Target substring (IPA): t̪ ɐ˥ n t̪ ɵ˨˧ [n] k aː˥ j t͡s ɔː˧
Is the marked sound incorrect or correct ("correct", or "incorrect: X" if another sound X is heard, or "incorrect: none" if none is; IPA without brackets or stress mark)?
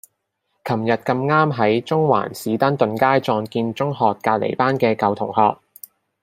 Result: correct